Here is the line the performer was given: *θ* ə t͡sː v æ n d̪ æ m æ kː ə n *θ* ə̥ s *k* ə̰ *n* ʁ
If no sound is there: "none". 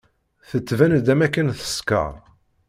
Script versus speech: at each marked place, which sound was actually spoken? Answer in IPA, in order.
θ, θ, k, none

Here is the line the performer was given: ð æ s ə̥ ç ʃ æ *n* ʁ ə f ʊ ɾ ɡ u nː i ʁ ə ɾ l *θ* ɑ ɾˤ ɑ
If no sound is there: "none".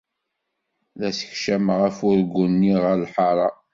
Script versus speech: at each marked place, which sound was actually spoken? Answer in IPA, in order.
m, ħ

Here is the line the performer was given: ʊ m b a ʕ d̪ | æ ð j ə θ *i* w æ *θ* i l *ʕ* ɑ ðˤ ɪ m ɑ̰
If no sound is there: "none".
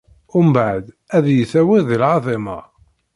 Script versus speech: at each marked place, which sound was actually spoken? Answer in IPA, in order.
æ, ð, ʕ

